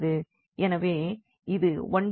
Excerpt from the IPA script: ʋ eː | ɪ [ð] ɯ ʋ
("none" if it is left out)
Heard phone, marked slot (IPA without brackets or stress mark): ð